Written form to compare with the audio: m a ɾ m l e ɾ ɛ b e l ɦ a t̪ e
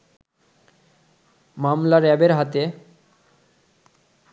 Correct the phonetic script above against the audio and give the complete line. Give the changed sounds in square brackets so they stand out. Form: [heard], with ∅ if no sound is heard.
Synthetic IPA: m a [∅] m l [a] ɾ ɛ b e [ɾ] ɦ a t̪ e

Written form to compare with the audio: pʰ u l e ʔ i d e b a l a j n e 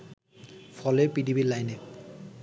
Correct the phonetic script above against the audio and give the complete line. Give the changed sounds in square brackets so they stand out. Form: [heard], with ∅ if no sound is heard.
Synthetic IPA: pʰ [ɔ] l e [p] i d [i] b [i] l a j n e

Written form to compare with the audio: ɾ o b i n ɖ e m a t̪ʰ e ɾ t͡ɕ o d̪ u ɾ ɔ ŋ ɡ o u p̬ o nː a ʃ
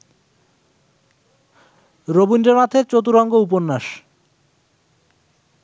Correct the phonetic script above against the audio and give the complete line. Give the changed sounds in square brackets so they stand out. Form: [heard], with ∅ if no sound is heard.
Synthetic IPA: ɾ o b i n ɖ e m a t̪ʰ e ɾ t͡ɕ o [t̪] u ɾ ɔ ŋ ɡ o u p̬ o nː a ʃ

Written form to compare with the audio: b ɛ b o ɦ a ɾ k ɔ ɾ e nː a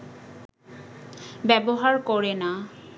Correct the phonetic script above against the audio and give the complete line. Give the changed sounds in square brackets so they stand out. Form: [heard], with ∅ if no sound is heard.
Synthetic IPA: b ɛ b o ɦ a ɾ k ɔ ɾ e [n] a

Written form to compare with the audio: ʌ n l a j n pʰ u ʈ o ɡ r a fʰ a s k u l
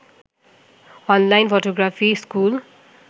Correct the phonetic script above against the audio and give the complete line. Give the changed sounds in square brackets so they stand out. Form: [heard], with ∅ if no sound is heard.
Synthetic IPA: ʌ n l a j n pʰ [o] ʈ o ɡ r a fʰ [i] s k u l

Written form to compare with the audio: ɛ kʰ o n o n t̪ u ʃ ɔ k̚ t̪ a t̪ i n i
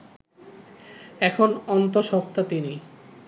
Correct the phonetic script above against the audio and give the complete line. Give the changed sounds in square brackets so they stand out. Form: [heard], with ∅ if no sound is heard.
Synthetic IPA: ɛ kʰ o n [ɔ] n t̪ [o] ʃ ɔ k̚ t̪ a t̪ i n i

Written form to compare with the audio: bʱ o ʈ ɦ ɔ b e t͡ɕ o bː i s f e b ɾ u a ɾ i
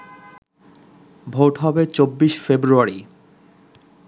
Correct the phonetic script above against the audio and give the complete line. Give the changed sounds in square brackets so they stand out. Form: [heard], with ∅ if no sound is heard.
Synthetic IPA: bʱ o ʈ ɦ ɔ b e t͡ɕ o bː i [ʃ] f e b ɾ u a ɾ i

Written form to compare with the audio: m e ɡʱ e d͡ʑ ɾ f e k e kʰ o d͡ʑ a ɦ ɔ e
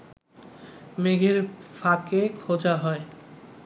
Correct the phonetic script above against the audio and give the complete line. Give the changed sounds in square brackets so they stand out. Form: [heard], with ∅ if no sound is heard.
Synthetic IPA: m e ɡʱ e [∅] ɾ f [a] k e kʰ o d͡ʑ a ɦ ɔ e

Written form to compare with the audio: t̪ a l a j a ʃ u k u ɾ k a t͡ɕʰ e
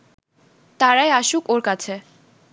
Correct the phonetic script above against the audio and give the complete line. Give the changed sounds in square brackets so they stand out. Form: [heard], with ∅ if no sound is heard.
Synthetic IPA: t̪ a [ɾ] a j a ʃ u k [o] ɾ k a t͡ɕʰ e

